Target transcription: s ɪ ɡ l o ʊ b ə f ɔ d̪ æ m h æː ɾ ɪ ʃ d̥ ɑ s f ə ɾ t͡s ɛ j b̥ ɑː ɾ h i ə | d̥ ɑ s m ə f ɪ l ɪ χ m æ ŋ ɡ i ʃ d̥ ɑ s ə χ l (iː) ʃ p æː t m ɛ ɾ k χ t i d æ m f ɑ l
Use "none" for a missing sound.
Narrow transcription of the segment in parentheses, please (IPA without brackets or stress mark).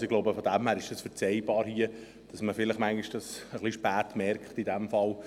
i